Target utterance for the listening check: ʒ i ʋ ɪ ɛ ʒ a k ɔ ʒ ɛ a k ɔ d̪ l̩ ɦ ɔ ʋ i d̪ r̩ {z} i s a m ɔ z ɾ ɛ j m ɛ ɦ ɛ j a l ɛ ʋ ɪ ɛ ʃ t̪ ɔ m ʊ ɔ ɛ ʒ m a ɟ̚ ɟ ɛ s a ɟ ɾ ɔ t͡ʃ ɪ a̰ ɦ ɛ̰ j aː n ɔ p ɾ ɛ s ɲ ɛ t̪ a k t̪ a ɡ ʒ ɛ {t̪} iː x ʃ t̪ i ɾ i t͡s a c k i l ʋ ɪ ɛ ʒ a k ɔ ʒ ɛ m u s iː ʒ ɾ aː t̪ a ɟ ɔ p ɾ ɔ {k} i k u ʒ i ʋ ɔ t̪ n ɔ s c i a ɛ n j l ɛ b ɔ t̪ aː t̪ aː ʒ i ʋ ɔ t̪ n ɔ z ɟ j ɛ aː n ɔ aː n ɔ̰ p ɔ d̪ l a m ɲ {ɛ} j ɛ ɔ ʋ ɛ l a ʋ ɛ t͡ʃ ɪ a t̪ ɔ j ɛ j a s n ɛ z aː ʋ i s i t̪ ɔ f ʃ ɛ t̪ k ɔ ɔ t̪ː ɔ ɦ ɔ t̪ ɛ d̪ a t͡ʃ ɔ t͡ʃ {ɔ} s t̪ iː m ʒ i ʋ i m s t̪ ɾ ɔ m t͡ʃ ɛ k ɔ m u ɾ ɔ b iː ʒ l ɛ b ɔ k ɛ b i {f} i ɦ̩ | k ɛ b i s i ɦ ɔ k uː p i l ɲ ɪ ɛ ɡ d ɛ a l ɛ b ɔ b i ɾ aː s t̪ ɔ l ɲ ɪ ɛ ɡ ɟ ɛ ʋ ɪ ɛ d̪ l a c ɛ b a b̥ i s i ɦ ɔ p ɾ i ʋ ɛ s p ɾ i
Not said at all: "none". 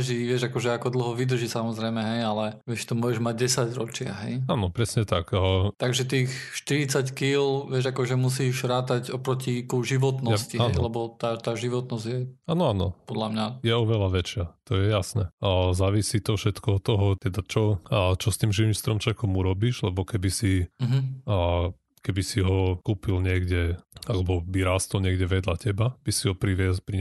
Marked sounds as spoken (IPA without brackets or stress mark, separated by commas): ʒ, t̪, c, a, ɔ, s